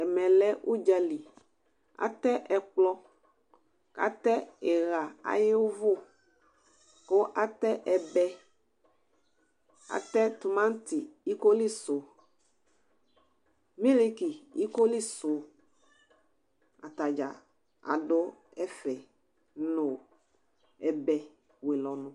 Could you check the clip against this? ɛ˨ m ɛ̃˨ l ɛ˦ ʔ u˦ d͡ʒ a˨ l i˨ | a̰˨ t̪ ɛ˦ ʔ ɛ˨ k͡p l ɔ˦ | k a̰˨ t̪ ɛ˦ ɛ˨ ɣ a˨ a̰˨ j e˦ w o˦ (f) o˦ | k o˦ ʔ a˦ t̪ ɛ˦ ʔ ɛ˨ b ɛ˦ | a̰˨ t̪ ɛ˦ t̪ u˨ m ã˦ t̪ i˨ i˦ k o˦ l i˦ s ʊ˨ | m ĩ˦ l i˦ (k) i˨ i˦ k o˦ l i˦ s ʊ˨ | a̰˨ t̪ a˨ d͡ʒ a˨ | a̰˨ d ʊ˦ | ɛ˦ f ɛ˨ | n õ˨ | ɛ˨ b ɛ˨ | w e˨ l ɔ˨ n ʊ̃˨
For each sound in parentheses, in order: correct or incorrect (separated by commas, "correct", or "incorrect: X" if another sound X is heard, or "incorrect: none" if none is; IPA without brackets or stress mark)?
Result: incorrect: v, correct